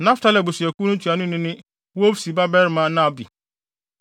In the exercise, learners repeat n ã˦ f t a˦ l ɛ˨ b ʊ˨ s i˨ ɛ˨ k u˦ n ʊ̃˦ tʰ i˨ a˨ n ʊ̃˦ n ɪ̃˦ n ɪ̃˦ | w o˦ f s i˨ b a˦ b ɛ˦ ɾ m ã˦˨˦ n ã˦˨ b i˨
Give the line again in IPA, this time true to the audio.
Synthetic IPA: n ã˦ f t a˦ l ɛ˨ b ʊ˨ s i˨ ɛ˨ k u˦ n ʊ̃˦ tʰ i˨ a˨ n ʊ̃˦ n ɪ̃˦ n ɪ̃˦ | w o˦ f s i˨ b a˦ b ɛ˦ ɾ m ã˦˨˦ n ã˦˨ b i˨